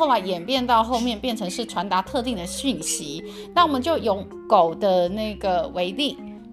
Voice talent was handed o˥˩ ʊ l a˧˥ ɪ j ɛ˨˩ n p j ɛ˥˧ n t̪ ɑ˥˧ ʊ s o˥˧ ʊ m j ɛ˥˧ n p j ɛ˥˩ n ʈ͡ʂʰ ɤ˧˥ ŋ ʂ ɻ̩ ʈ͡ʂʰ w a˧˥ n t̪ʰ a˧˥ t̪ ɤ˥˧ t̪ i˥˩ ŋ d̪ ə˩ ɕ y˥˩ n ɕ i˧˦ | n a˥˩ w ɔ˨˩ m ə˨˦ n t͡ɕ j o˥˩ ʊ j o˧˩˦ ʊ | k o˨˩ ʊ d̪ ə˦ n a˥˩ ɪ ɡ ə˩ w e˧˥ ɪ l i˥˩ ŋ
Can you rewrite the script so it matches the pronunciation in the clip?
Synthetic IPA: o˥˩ ʊ l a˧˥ ɪ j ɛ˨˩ n p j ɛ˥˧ n t̪ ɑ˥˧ ʊ x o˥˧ ʊ m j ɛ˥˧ n p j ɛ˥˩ n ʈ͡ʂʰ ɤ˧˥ ŋ ʂ ɻ̩ ʈ͡ʂʰ w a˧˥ n t̪ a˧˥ t̪ʰ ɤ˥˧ t̪ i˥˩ ŋ d̪ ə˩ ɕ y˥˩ n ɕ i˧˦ | n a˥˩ w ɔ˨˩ m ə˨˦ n t͡ɕ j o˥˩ ʊ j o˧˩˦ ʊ | k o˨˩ ʊ d̪ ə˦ n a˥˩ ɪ ɡ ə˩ w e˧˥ ɪ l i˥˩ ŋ